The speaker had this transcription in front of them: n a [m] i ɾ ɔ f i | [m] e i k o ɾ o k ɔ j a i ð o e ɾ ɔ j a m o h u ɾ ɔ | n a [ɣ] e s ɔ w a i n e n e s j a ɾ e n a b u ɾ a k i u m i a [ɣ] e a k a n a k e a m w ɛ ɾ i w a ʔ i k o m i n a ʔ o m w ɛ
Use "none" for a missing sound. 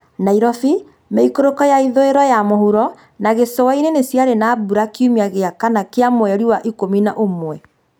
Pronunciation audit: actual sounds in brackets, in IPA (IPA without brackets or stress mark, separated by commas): none, m, ɣ, ɣ